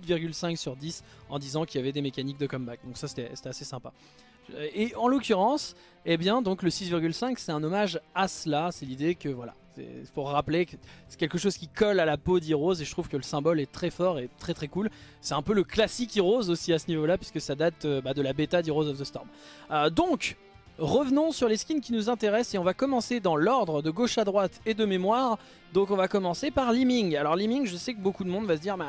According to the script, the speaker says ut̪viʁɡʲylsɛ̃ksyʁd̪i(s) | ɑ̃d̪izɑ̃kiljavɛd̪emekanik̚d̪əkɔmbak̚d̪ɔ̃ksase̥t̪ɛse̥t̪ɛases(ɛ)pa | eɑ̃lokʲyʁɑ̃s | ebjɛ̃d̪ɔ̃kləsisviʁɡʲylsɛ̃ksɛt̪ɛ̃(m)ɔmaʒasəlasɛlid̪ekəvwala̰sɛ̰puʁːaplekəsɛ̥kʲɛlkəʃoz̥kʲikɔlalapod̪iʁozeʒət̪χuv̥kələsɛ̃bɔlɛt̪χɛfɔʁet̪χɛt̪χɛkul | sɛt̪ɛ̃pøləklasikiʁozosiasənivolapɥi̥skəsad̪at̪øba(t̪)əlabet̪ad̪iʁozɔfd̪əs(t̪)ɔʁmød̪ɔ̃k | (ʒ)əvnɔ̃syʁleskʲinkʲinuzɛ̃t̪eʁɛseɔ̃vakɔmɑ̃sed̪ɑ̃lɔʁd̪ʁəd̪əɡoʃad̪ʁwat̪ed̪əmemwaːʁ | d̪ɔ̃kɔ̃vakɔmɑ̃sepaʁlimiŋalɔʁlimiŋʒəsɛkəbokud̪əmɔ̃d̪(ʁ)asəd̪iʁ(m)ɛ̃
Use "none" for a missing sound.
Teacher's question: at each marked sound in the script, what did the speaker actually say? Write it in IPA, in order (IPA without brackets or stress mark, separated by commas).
s, ɛ̃, n, d̪, t̪, ʁ, v, m